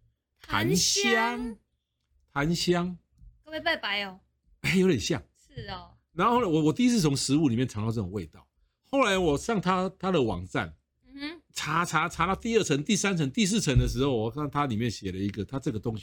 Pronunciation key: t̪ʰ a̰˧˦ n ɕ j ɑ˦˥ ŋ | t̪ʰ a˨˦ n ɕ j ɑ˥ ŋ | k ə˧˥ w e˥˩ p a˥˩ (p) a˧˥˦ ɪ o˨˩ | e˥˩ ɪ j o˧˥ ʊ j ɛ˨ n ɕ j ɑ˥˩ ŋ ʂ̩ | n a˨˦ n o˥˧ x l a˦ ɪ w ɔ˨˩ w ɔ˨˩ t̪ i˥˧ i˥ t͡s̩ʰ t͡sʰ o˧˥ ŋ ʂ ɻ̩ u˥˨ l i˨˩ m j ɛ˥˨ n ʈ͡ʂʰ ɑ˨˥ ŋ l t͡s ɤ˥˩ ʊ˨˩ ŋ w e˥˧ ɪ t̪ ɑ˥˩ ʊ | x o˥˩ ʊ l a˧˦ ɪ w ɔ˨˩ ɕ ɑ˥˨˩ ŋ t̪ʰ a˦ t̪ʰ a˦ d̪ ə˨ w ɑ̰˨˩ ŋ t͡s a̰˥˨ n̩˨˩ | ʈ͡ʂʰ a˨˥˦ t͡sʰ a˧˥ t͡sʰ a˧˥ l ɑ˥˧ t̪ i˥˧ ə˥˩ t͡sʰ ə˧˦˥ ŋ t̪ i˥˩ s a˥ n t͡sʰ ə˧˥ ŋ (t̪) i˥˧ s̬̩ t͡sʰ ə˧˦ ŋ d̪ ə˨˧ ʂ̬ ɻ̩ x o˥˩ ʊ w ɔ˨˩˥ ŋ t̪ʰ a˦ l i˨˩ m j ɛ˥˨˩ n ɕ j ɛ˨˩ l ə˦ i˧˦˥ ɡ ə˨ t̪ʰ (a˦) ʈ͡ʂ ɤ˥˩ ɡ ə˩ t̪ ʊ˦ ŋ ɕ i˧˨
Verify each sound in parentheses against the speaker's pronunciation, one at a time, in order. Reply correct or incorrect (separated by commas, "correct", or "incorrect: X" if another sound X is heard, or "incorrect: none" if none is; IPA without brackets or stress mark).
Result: correct, correct, correct